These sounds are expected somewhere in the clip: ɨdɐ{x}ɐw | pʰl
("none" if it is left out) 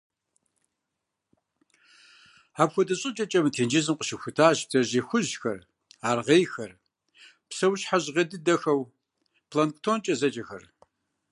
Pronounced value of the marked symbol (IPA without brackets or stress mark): x